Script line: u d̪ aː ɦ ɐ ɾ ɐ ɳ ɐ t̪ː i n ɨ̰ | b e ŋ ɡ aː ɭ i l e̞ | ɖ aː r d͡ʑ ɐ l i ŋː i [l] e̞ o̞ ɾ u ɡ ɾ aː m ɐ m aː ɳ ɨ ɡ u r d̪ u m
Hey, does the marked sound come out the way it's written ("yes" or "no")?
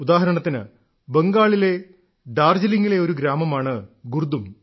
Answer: yes